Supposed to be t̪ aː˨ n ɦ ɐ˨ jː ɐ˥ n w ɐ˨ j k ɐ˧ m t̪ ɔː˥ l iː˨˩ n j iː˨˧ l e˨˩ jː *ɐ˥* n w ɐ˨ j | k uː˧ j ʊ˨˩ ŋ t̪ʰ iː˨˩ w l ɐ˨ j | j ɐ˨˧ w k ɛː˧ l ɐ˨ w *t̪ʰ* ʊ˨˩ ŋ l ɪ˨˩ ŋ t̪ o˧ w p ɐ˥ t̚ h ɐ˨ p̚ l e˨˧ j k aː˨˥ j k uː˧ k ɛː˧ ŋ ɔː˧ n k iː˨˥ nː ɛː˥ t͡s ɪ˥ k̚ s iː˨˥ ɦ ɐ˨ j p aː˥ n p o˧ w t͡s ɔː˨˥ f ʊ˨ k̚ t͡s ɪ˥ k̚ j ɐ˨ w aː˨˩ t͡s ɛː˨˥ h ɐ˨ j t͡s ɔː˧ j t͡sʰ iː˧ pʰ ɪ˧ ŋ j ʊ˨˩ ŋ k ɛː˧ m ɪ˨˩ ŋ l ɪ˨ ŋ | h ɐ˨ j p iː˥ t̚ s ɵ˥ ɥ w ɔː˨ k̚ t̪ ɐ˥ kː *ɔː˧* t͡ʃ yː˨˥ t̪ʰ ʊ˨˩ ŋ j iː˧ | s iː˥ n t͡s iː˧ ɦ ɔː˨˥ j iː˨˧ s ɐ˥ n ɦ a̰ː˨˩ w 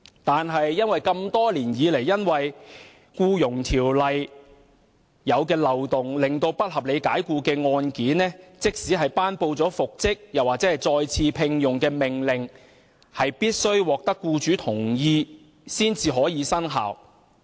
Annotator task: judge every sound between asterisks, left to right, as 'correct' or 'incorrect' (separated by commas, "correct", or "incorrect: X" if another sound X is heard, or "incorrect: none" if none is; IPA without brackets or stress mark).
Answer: correct, incorrect: t̪, incorrect: uː˧